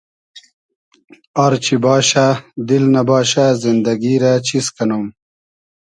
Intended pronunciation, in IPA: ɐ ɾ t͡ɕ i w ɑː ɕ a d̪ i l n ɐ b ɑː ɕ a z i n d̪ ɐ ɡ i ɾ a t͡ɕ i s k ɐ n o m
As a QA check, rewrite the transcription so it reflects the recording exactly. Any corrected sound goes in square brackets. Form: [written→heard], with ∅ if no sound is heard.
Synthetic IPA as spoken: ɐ ɾ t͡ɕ i [w→b] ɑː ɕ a d̪ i l n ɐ b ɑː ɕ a z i n d̪ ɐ ɡ i ɾ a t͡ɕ i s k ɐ n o m